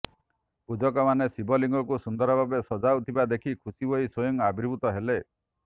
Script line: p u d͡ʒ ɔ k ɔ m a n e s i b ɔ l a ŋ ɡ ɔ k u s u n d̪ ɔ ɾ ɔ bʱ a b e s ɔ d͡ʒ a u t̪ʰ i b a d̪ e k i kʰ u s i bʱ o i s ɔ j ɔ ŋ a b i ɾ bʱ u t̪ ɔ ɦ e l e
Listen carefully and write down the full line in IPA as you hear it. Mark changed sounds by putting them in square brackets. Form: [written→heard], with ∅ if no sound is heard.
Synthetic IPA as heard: p u d͡ʒ ɔ k ɔ m a n e s i b ɔ l [a→i] ŋ ɡ ɔ k u s u n d̪ ɔ ɾ ɔ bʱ a b e s ɔ d͡ʒ a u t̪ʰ i b a d̪ e [k→kʰ] i kʰ u s i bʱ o i s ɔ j ɔ ŋ a b i ɾ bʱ u t̪ ɔ ɦ e l e